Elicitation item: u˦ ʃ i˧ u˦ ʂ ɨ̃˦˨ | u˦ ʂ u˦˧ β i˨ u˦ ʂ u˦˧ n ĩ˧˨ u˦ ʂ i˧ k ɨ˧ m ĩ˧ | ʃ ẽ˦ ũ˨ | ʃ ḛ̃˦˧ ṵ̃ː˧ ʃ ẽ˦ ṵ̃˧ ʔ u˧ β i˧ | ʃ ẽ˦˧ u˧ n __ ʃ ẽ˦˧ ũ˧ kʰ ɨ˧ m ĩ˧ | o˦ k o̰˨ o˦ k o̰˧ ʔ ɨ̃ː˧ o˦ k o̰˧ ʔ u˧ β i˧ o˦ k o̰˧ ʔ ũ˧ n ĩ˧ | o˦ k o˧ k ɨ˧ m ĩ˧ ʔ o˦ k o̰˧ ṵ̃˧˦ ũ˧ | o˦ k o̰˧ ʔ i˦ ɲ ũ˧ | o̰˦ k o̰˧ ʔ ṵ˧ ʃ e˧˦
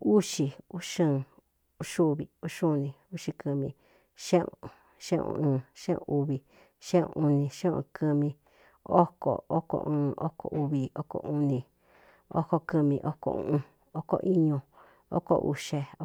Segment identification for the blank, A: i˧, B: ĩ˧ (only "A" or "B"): B